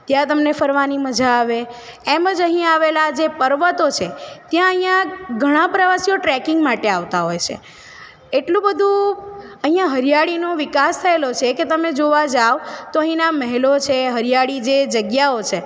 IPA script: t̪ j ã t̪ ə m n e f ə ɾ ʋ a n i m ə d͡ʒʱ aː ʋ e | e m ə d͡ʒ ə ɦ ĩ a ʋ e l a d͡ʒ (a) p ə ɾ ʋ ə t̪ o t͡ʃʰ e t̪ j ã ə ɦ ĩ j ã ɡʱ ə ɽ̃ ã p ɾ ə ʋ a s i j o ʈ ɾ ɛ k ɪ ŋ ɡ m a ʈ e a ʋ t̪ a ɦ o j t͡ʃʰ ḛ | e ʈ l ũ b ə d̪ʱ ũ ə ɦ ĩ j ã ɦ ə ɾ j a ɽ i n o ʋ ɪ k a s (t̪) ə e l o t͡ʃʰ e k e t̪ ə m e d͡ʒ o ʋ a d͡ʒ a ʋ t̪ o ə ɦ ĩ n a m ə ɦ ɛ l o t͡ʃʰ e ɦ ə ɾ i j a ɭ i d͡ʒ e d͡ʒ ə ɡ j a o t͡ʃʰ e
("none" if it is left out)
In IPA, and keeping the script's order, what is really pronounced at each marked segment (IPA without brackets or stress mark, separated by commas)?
e, t̪ʰ